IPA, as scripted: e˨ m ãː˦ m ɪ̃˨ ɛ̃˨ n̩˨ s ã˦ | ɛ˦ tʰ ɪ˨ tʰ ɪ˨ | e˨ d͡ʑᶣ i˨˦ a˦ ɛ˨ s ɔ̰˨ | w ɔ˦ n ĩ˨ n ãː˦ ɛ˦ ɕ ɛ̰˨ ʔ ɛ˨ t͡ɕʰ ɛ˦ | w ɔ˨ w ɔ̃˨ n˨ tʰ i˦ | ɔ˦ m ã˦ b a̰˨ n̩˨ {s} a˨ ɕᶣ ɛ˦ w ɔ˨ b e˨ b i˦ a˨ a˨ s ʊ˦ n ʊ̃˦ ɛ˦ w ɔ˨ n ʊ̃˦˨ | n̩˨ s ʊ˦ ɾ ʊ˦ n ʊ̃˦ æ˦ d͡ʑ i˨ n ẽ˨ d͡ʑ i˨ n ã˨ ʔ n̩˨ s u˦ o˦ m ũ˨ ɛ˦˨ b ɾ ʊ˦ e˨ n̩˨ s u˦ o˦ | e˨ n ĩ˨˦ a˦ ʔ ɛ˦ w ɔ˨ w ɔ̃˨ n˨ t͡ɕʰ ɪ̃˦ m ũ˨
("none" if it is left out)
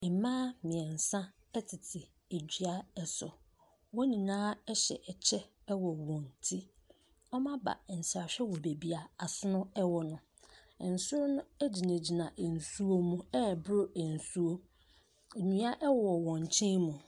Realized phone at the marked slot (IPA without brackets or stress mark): s